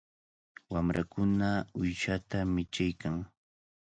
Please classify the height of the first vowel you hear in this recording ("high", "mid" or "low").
low